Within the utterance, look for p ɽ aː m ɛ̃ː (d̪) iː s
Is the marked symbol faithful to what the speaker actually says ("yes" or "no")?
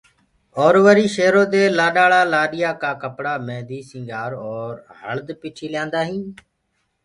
yes